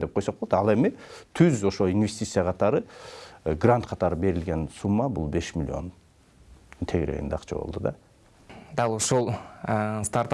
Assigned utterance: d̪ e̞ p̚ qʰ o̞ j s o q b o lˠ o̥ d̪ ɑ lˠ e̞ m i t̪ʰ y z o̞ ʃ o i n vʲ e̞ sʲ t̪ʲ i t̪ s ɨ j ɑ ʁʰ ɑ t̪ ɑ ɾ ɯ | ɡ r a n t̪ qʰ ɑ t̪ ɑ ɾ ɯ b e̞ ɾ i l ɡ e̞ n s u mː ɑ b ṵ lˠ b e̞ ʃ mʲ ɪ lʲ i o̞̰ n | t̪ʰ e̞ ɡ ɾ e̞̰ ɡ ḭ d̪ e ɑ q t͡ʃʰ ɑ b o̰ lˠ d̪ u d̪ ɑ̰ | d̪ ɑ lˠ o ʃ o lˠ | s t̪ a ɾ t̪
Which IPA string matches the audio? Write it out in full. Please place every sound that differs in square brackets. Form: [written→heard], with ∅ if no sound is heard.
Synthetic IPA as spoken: d̪ e̞ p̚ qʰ o̞ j s o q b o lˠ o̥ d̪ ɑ lˠ e̞ m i t̪ʰ y z o̞ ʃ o i n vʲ e̞ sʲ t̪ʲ i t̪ s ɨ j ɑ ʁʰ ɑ t̪ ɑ ɾ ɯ | ɡ r a n t̪ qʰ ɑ t̪ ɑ ɾ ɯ b e̞ ɾ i l ɡ e̞ n s u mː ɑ b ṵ lˠ b e̞ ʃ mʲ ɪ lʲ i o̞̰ n | t̪ʰ e̞ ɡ ɾ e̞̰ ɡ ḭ d̪ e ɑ q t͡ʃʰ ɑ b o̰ lˠ d̪ u d̪ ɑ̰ | d̪ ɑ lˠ o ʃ o lˠ | s t̪ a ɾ t̪